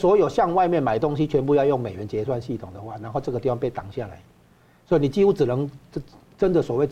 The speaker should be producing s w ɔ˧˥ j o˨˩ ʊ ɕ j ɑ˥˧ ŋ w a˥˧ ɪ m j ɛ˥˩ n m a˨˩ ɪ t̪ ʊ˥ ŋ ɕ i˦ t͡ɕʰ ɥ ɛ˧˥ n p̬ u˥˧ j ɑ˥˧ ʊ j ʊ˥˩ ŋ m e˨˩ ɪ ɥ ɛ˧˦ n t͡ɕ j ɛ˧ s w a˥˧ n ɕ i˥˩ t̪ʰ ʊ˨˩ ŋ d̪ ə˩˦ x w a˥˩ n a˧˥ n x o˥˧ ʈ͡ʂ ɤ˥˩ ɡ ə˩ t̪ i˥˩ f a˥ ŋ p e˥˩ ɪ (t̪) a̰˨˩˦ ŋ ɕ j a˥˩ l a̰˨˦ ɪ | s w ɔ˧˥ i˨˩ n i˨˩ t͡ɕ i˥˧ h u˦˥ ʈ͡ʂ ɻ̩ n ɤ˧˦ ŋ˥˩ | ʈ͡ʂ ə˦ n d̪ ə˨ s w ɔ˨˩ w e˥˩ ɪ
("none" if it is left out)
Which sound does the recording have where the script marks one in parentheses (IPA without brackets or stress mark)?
t̪